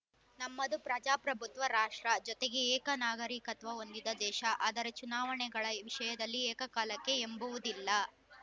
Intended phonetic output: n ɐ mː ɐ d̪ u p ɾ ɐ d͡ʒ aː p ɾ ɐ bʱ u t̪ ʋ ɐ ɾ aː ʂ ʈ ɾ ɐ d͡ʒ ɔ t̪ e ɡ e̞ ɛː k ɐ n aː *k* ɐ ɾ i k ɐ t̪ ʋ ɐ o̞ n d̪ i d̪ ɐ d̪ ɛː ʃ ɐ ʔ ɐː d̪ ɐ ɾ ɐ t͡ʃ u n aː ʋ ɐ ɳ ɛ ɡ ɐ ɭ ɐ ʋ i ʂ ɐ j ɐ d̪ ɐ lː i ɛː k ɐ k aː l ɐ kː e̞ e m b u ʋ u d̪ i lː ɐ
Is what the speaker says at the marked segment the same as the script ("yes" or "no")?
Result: no